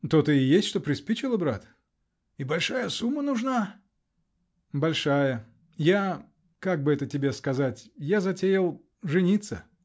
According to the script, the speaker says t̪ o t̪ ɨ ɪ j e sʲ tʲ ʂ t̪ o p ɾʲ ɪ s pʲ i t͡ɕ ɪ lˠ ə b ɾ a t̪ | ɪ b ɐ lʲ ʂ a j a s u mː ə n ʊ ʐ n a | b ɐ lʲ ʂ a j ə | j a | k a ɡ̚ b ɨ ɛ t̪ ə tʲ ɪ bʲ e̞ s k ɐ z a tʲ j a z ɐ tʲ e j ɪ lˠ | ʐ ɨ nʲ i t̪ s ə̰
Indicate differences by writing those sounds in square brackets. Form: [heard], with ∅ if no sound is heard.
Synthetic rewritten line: t̪ o t̪ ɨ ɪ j e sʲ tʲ ʂ t̪ o p ɾʲ ɪ s pʲ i t͡ɕ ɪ lˠ ə b ɾ a t̪ | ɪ b ɐ lʲ ʂ a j [ə] s u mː ə n ʊ ʐ n a | b ɐ lʲ ʂ a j ə | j a | k a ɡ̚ b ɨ ɛ t̪ ə tʲ ɪ bʲ e̞ s k ɐ z a tʲ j a z ɐ tʲ e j ɪ lˠ | ʐ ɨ nʲ i t̪ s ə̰